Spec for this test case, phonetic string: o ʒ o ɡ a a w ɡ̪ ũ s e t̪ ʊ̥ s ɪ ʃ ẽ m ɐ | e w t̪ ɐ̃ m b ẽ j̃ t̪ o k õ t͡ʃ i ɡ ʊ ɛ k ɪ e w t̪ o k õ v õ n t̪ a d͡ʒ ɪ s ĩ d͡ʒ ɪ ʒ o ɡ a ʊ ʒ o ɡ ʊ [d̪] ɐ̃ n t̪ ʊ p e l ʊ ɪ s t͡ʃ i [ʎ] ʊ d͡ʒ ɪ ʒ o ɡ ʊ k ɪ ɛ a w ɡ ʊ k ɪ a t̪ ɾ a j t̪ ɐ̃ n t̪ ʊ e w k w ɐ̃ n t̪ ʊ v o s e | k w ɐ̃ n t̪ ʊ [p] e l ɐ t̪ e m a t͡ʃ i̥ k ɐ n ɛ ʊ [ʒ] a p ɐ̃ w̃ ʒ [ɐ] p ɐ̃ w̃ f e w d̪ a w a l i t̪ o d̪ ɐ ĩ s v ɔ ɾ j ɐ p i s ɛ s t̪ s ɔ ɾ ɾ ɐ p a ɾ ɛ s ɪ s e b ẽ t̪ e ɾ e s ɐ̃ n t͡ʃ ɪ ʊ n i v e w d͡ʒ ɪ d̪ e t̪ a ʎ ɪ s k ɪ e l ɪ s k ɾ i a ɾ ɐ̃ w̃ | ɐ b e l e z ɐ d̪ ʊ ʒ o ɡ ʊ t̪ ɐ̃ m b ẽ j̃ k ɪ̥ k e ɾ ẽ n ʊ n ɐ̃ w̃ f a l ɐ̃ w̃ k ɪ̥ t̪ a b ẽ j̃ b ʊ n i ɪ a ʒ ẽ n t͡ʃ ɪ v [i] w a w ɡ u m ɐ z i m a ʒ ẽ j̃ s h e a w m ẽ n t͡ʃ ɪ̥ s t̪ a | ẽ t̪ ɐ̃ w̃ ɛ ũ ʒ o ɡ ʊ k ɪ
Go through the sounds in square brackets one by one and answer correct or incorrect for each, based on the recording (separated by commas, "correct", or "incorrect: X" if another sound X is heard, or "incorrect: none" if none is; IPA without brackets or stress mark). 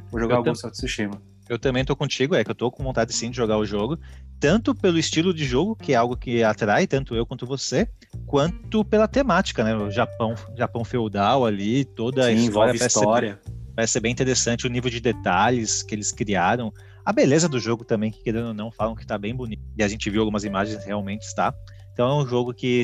incorrect: t̪, incorrect: l, correct, correct, incorrect: a, correct